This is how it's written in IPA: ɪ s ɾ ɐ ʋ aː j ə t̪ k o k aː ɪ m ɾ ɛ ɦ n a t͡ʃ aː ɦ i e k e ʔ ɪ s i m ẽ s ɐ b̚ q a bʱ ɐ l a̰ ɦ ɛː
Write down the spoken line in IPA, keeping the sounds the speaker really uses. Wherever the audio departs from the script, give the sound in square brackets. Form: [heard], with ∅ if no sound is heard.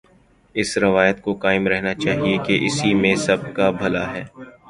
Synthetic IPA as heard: ɪ s ɾ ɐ ʋ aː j ə t̪ k o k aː ɪ m ɾ ɛ ɦ n a t͡ʃ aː ɦ i e k e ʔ ɪ s i m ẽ s ɐ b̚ [k] a bʱ ɐ l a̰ ɦ ɛː

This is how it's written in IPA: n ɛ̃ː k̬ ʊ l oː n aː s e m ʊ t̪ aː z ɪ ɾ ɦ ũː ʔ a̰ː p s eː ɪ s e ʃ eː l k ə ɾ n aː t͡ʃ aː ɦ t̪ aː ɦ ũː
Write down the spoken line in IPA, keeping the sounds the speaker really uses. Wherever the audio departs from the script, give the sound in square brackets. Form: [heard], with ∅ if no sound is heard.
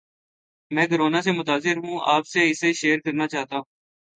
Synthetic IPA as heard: [m] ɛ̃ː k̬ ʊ [ɾ] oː n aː s e m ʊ t̪ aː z ɪ ɾ ɦ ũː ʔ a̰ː p s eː ɪ s e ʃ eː [ɾ] k ə ɾ n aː t͡ʃ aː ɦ t̪ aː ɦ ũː

